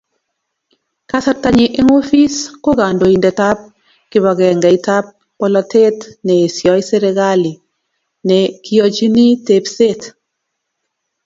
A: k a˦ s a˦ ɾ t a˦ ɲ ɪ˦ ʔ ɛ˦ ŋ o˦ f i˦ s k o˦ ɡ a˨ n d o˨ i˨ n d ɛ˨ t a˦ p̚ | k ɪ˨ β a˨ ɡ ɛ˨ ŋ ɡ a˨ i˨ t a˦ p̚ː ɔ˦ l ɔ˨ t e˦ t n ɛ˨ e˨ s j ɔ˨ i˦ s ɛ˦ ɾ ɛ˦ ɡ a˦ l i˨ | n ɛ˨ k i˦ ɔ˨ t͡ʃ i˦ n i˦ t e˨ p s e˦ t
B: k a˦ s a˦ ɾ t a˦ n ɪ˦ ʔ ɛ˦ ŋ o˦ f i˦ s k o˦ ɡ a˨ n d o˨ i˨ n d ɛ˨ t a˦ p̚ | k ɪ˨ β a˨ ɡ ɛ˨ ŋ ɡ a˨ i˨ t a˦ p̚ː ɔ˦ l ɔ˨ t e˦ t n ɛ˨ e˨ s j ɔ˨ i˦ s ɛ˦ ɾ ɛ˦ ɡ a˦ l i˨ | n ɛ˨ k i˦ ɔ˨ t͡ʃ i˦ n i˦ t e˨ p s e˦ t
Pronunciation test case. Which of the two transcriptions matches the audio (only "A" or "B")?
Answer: A